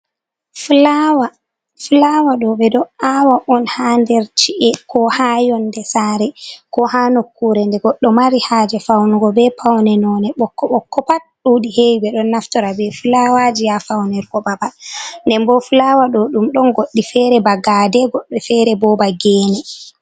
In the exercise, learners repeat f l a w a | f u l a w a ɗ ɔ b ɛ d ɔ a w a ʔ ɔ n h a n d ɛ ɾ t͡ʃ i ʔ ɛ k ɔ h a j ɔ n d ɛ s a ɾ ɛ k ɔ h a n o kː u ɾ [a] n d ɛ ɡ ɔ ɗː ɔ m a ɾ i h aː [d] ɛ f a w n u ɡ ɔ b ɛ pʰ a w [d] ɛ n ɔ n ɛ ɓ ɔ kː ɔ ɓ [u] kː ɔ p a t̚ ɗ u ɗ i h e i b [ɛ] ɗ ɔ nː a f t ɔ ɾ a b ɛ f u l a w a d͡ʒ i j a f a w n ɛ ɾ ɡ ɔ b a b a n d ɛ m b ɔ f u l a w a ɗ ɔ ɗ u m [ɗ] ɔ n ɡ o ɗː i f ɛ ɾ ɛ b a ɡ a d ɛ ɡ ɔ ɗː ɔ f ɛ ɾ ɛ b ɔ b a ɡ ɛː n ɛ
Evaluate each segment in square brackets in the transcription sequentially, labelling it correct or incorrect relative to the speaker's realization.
incorrect, incorrect, incorrect, incorrect, correct, correct

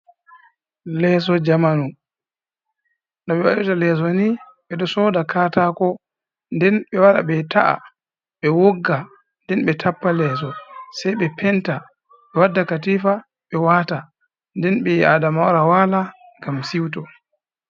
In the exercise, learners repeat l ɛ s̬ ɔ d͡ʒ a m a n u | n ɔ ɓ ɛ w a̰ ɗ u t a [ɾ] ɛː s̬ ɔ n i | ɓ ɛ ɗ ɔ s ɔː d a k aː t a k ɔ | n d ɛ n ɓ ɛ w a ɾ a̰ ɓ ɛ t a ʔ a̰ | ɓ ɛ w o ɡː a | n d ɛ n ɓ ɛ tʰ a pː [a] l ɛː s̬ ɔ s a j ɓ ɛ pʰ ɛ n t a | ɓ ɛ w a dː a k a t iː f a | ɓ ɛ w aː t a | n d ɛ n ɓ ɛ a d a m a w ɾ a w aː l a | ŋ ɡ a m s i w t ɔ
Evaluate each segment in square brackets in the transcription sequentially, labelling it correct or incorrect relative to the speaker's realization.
incorrect, correct

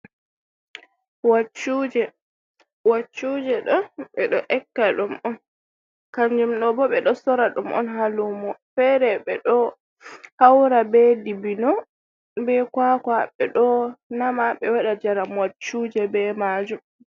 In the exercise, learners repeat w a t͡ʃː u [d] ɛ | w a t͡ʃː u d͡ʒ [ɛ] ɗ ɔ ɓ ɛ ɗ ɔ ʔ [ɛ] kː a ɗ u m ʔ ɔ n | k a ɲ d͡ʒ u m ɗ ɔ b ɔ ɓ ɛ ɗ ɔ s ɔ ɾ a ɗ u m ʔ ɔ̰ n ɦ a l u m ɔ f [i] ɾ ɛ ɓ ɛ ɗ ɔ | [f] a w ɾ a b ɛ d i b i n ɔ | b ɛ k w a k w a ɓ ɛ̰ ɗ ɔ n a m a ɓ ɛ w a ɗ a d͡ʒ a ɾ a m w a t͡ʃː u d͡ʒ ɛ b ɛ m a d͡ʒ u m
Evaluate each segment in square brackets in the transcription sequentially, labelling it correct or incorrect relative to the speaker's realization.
incorrect, correct, correct, incorrect, incorrect

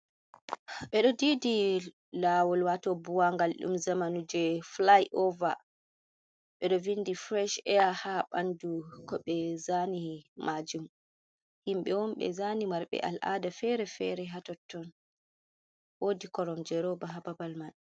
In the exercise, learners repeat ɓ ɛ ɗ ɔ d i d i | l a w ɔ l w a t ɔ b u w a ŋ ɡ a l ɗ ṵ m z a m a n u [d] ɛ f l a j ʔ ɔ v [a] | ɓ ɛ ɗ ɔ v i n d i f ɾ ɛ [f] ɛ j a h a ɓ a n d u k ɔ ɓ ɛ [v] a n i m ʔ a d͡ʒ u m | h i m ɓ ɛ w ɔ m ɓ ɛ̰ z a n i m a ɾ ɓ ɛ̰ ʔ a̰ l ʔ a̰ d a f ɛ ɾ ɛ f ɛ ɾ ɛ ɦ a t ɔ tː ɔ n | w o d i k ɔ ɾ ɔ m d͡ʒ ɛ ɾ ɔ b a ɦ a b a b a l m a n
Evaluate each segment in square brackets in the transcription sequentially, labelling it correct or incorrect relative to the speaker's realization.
incorrect, correct, incorrect, incorrect

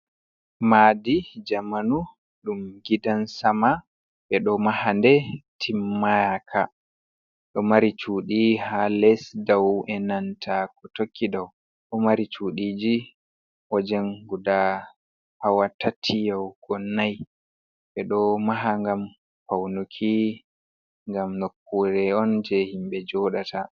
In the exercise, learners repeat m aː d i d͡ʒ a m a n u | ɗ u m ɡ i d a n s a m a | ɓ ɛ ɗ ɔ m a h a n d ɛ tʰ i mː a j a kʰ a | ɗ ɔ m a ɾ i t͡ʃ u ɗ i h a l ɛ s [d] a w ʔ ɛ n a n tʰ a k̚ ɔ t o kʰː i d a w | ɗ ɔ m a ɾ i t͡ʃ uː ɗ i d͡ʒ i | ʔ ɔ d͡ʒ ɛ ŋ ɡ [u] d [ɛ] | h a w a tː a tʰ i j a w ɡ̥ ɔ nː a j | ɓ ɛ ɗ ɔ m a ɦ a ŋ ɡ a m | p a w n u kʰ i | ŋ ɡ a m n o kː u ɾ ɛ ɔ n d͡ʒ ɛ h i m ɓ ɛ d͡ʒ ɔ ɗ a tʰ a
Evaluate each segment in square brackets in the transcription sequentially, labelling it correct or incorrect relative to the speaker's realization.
correct, correct, incorrect

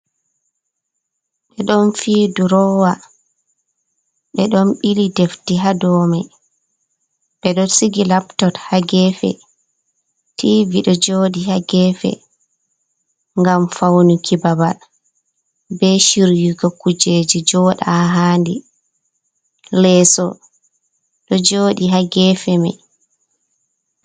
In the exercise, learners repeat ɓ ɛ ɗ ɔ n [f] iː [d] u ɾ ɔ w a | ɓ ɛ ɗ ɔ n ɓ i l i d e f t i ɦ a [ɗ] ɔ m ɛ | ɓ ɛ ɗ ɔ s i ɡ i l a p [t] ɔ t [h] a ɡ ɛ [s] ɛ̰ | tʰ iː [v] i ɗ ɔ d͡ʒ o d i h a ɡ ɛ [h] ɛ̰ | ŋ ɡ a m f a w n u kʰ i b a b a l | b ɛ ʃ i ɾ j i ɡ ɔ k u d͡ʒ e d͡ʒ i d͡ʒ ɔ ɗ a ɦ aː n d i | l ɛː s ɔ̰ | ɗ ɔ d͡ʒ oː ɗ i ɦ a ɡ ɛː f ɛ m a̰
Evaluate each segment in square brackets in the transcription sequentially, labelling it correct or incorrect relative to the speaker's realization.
correct, correct, incorrect, correct, correct, incorrect, correct, incorrect

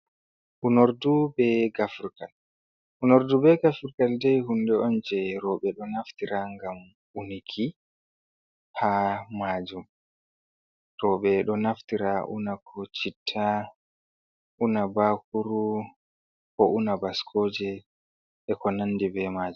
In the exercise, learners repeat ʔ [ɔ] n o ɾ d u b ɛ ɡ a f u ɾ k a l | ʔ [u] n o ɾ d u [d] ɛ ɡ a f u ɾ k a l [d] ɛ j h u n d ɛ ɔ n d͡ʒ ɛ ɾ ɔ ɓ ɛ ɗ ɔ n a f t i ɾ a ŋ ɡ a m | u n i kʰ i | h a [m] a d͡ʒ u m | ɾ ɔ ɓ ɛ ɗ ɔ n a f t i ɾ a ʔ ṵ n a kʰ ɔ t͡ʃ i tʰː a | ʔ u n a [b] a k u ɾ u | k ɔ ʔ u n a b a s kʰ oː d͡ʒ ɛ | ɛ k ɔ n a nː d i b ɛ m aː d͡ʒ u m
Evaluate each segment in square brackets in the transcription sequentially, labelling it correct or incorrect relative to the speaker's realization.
incorrect, correct, incorrect, correct, correct, correct

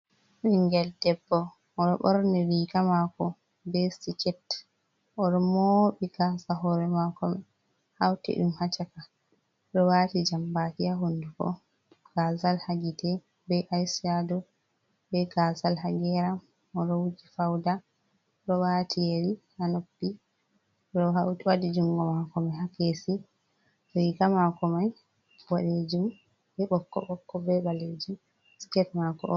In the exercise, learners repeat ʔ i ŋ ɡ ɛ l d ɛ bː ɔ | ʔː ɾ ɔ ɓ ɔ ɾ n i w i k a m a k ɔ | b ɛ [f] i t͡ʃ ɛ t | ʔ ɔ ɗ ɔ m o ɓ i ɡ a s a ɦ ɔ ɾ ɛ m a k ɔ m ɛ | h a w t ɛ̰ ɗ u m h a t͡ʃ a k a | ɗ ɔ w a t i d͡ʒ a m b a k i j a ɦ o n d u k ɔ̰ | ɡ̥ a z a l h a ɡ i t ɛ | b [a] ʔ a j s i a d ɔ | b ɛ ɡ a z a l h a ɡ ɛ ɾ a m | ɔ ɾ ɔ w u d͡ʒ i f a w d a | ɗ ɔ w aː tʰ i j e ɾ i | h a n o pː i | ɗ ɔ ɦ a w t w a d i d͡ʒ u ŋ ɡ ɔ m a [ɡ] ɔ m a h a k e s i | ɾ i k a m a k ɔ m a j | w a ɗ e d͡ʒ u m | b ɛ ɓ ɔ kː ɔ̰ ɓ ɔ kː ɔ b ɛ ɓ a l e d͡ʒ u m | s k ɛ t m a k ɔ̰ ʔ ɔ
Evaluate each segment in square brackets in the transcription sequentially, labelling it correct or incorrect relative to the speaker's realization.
incorrect, incorrect, incorrect

